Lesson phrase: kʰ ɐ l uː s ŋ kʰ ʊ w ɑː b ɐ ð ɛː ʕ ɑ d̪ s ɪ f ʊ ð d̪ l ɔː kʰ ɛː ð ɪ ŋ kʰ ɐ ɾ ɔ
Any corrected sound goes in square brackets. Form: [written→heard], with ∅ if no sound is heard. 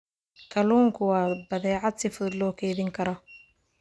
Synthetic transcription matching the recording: kʰ ɐ l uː [s→∅] ŋ kʰ ʊ w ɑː b ɐ ð ɛː ʕ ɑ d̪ s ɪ f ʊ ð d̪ l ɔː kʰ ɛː ð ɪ ŋ kʰ ɐ ɾ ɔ